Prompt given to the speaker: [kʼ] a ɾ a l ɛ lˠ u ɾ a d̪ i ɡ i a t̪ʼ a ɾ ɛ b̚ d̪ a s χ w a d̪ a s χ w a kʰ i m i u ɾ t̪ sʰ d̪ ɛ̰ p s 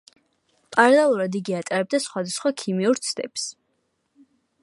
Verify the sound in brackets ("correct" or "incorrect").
incorrect